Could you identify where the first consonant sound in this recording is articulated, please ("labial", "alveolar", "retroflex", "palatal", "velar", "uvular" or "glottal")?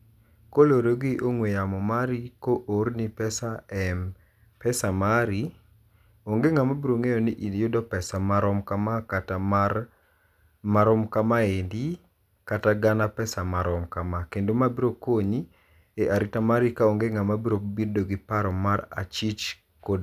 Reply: velar